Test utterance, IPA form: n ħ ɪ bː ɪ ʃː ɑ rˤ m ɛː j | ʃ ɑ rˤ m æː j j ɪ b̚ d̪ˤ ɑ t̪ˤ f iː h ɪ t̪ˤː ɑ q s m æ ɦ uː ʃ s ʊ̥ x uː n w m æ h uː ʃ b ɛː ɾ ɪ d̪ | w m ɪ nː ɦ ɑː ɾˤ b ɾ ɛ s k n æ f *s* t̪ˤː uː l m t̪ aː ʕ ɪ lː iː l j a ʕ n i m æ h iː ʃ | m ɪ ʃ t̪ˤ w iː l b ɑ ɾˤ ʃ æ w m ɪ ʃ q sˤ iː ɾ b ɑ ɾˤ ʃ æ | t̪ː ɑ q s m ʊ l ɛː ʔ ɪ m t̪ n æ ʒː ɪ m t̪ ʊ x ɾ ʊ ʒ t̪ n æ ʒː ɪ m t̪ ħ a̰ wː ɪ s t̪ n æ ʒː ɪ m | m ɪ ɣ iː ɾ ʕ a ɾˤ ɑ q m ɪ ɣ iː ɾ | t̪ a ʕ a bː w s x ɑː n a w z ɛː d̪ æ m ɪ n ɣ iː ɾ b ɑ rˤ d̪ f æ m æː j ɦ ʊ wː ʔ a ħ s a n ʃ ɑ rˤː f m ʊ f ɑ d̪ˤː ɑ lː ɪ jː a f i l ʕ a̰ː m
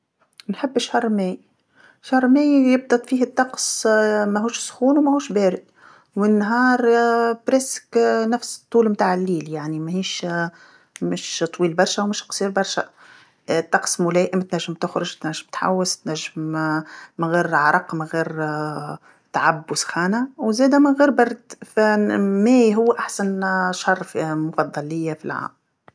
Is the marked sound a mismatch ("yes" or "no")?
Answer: no